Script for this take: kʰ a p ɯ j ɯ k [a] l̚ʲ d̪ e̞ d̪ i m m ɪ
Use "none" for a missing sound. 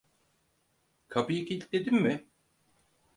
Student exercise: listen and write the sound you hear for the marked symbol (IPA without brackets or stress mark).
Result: i